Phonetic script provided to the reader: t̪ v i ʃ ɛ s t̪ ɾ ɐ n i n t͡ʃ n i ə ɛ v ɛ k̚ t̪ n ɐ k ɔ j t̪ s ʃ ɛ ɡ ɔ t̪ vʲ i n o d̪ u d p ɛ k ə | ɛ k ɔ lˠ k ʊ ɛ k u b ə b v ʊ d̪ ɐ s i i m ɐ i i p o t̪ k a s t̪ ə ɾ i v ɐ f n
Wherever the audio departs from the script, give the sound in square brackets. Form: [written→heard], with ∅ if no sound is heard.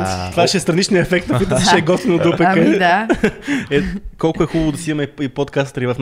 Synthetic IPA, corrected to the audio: t̪ v [i→a] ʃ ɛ s t̪ ɾ ɐ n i [n→∅] t͡ʃ n i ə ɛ [v→f] ɛ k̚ t̪ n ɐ k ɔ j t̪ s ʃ ɛ ɡ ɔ t̪ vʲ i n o d̪ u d p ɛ k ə | ɛ k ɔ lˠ k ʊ ɛ [k→x] u b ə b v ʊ d̪ ɐ s i i m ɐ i i p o t̪ k a s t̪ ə ɾ i v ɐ f n